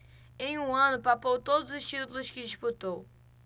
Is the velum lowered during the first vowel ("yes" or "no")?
yes